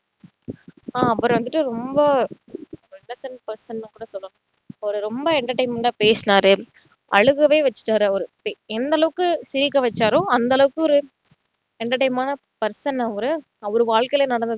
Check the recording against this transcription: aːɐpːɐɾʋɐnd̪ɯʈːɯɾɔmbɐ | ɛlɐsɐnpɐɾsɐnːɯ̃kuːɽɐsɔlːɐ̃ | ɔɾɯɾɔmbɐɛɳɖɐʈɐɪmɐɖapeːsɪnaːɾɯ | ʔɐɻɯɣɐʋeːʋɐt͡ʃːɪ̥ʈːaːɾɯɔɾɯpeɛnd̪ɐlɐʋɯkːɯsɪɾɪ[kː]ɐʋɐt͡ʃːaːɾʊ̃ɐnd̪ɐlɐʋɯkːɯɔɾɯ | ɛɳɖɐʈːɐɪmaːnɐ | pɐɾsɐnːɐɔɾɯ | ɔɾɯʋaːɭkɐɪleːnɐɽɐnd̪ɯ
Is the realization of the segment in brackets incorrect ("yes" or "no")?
no